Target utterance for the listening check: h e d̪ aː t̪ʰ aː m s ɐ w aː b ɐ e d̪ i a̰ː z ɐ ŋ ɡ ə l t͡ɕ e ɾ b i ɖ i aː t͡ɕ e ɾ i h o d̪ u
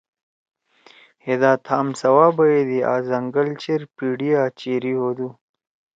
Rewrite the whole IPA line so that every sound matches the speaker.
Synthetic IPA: h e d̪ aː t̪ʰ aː m s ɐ w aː b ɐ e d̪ i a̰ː z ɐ ŋ ɡ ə l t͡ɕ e ɾ p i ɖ i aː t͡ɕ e ɾ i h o d̪ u